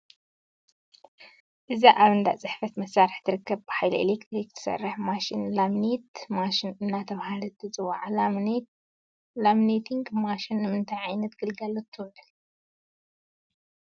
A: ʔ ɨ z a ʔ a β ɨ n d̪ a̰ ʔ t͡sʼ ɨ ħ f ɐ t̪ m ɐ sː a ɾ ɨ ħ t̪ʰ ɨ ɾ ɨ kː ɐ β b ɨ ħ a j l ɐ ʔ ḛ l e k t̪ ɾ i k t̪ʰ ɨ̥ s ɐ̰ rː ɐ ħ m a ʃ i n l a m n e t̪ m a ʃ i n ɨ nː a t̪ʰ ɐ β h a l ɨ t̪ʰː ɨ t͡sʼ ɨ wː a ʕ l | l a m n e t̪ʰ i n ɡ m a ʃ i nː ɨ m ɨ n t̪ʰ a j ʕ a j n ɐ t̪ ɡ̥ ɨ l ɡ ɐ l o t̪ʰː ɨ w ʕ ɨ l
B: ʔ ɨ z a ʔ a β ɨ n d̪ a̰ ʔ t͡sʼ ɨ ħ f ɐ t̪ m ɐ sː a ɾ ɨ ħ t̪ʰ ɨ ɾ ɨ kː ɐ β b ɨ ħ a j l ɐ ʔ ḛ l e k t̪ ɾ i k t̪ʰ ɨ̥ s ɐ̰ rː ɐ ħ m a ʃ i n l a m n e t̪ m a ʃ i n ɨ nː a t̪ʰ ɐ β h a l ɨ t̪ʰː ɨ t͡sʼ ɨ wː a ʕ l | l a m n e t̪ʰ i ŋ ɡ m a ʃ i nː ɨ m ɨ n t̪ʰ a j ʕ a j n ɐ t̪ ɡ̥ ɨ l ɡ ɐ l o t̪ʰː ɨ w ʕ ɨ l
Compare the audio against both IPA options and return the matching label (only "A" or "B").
B